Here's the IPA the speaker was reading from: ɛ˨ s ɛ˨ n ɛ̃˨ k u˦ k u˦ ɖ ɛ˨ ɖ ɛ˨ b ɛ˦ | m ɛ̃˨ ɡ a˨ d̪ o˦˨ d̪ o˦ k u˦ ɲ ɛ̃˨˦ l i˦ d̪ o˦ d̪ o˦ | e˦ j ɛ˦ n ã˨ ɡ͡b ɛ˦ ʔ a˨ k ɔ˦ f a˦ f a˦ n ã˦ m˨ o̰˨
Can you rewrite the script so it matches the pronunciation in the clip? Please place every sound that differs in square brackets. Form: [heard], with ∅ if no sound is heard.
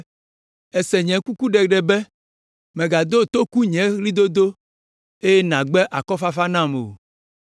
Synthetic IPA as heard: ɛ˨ s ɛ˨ [ɲ] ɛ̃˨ k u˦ k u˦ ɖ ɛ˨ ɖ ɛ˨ b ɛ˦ | m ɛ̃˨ ɡ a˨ d̪ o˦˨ [t̪] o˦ k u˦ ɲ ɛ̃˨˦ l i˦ d̪ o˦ d̪ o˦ | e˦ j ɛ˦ n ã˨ ɡ͡b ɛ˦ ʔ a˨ k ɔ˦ f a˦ f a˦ n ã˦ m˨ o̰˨

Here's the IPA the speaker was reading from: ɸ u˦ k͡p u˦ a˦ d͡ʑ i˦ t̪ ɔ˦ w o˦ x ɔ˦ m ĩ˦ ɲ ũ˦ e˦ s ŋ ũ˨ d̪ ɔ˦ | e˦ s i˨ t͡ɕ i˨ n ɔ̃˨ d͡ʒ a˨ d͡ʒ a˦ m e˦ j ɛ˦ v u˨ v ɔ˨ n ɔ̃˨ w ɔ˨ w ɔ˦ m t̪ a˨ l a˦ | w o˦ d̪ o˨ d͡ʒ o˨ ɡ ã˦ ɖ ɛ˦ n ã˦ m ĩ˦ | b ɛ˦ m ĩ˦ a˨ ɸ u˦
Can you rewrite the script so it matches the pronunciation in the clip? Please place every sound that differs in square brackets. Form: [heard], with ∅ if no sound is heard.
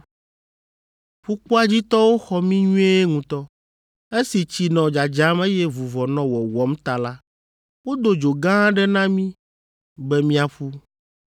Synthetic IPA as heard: ɸ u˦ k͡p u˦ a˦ d͡ʑ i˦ t̪ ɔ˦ w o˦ x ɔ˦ m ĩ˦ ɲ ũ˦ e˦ [∅] ŋ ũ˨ [t̪] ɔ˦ | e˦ s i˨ t͡ɕ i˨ n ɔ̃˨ d͡ʒ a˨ d͡ʒ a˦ m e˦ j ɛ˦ v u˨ v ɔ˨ n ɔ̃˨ w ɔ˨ w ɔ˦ m t̪ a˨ l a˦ | w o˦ d̪ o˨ d͡ʒ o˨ ɡ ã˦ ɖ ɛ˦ n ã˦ m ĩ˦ | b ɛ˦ m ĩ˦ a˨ ɸ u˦

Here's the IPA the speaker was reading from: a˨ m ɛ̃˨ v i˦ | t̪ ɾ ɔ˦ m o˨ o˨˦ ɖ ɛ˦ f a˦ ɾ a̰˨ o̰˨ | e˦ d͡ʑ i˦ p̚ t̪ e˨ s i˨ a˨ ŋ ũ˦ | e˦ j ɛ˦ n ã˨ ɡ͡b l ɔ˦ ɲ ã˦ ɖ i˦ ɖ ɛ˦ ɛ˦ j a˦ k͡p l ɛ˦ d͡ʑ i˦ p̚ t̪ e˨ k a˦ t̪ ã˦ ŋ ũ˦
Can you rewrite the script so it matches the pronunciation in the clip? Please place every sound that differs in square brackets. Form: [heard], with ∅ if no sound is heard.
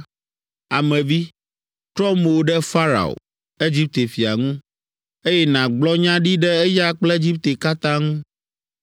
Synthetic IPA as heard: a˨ m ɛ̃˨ v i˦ | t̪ ɾ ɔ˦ m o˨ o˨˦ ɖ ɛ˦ f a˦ ɾ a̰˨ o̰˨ | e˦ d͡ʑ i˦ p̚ t̪ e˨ [f] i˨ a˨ ŋ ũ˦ | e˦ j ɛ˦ n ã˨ ɡ͡b l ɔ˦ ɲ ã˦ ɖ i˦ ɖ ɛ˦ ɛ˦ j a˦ k͡p l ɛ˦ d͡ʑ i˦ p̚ t̪ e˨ k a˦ t̪ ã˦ ŋ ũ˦

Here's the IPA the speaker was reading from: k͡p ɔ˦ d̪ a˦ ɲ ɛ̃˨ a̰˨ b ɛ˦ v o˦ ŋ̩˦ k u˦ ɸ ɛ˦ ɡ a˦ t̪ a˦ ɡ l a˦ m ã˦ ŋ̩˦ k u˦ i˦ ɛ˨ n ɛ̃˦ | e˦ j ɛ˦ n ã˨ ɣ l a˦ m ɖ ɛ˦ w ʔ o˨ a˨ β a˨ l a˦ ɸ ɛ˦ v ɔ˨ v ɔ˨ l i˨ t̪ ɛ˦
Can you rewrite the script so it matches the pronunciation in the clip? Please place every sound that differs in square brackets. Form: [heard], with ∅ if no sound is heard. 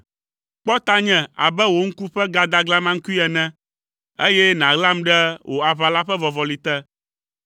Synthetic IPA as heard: k͡p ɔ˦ [t̪] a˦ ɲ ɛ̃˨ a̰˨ b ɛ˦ [w] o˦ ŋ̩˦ k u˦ ɸ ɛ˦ ɡ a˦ [d̪] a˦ ɡ l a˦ m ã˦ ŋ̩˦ k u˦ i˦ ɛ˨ n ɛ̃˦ | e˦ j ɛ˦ n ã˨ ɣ l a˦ m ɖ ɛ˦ w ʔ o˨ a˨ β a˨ l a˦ ɸ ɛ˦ v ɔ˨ v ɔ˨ l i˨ t̪ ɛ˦

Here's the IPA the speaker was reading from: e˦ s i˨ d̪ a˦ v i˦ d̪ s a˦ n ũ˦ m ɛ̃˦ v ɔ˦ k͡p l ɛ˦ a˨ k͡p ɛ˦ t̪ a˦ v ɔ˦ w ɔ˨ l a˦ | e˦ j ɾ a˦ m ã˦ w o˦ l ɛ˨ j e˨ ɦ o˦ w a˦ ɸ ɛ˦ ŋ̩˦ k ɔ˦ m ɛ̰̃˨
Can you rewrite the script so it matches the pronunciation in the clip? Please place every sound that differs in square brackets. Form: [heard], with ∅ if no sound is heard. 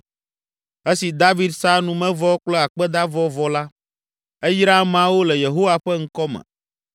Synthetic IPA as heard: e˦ s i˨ d̪ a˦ v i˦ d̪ s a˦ n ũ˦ m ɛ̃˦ v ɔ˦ k͡p l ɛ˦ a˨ k͡p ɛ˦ [d̪] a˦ v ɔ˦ [v] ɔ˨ l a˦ | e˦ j ɾ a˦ m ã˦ w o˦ l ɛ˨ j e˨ ɦ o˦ w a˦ ɸ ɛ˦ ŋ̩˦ k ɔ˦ m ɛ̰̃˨

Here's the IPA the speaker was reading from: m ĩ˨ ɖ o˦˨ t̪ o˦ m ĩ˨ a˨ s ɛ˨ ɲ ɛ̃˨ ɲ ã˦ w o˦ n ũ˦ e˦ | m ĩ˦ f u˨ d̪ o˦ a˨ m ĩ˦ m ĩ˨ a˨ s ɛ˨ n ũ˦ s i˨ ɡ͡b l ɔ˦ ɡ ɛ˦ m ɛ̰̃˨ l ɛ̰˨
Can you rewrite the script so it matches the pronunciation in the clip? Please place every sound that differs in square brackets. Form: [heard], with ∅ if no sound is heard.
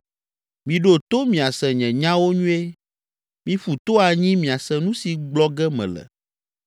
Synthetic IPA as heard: m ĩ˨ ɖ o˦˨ t̪ o˦ m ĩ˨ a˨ s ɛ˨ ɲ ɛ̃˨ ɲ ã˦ w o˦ [ɲ] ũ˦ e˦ | m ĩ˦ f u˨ [t̪] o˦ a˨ [ɲ] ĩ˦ m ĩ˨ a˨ s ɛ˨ n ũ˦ s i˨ ɡ͡b l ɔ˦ ɡ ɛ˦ m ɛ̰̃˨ l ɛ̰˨

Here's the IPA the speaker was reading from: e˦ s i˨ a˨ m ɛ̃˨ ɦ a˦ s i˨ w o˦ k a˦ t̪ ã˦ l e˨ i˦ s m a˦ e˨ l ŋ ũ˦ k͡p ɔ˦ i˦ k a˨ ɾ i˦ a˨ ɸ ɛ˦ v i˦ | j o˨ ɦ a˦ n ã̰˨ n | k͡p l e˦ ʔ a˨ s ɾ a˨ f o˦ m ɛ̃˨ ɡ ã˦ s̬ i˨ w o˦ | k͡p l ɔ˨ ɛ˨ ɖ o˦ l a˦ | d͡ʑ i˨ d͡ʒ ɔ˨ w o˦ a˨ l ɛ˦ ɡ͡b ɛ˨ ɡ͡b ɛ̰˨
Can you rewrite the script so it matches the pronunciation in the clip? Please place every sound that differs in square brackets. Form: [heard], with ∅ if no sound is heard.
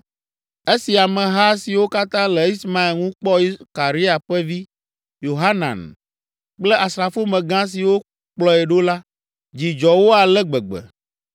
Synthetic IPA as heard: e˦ s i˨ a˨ m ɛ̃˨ ɦ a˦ s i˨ w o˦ k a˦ t̪ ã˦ l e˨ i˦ s m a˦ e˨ l ŋ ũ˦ k͡p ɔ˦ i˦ k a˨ ɾ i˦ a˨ ɸ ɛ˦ v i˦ | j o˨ ɦ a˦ n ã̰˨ n | k͡p l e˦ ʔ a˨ s ɾ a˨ f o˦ m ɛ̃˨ ɡ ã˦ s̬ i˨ w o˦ | k͡p l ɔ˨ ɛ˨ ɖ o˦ l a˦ | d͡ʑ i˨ d͡ʒ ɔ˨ w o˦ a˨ l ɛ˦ ɡ͡b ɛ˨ ɡ͡b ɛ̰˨

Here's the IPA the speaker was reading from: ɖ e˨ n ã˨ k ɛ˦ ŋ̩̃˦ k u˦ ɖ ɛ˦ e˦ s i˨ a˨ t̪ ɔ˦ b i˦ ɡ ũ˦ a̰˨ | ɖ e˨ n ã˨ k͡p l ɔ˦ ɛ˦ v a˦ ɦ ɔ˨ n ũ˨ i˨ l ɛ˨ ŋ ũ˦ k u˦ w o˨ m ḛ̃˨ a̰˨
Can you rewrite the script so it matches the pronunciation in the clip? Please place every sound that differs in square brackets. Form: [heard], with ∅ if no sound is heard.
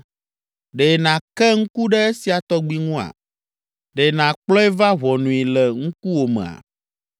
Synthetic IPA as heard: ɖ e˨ n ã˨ k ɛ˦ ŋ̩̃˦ k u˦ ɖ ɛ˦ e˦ s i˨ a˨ t̪ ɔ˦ [ɡ͡b] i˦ [ŋ] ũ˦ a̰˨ | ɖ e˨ n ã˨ k͡p l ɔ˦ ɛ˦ v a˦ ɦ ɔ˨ n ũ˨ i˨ l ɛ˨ ŋ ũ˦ k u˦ w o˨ m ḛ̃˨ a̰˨

